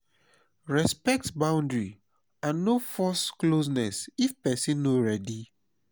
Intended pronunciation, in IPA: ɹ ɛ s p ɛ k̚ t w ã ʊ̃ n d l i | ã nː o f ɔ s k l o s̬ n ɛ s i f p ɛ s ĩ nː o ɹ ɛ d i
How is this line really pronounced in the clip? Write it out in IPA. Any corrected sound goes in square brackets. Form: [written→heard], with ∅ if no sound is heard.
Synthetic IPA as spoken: ɹ ɛ s p ɛ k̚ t [w→b] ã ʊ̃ n d [l→ɹ] i | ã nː o f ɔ s k l o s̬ n ɛ s i f p ɛ s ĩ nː o ɹ ɛ d i